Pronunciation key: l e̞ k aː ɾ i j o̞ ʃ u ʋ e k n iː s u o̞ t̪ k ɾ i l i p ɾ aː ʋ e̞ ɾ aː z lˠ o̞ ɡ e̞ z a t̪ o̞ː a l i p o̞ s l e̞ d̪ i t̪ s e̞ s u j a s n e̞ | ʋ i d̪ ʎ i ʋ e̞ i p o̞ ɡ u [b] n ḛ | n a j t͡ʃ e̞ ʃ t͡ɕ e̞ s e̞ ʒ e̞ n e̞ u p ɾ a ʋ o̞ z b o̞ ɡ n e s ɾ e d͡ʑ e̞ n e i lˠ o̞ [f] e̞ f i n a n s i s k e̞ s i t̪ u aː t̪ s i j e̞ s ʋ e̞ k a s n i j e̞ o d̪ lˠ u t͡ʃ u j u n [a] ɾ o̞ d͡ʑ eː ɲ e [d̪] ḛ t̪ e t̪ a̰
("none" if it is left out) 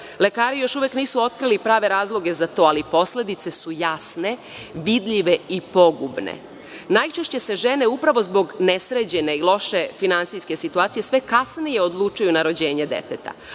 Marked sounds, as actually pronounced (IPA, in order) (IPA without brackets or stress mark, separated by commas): b, ʃ, a, d̪